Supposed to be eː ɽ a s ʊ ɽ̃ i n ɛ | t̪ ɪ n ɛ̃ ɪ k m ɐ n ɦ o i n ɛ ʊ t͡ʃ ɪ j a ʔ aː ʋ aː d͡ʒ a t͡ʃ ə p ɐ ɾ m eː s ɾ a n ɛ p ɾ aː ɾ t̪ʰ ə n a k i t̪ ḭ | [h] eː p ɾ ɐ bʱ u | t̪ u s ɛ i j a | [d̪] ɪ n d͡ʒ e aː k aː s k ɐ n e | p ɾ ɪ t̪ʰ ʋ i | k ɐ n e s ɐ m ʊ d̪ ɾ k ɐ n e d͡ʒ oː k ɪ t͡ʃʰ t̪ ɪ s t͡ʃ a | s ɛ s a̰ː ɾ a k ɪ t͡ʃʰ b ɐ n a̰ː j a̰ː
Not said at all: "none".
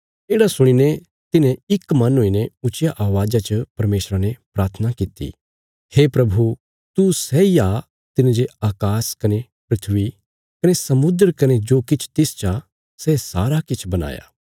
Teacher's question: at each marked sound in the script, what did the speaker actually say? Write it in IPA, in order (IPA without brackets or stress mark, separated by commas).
h, t̪